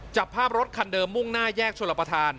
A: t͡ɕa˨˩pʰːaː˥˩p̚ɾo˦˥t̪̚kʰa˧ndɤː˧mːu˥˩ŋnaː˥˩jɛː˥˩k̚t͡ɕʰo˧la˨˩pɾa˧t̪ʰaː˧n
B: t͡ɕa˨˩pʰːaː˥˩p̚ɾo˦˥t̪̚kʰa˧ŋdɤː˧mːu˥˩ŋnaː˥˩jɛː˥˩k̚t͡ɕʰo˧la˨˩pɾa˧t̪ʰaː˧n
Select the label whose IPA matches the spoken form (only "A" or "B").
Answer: A